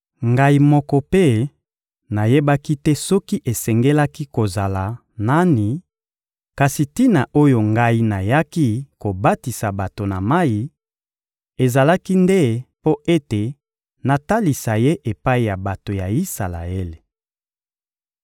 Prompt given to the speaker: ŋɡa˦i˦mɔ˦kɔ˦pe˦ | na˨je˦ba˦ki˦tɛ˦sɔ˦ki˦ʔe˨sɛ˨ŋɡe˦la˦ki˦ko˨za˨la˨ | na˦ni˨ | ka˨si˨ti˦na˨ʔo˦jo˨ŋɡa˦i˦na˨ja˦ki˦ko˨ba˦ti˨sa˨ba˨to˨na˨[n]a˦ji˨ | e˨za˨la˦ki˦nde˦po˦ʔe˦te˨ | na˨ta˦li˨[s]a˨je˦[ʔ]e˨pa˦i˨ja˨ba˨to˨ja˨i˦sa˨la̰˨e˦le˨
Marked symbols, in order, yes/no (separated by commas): no, yes, yes